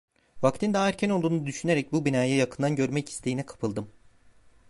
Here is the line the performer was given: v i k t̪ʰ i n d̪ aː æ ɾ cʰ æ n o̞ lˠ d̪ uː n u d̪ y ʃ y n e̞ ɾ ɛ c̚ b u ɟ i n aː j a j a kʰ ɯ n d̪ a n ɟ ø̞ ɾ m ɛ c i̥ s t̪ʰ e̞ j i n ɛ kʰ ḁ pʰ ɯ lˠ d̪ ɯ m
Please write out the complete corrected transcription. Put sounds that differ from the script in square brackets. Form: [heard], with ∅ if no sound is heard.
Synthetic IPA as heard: v [a] k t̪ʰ i n d̪ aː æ ɾ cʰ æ n o̞ lˠ d̪ uː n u d̪ y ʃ y n e̞ ɾ ɛ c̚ b u [b] i n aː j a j a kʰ ɯ n d̪ a n ɟ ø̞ ɾ m ɛ c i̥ s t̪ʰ e̞ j i n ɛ kʰ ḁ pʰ ɯ lˠ d̪ ɯ m